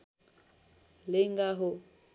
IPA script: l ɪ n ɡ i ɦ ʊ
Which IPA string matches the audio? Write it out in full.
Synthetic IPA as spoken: l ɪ ŋ ɡ a ɦ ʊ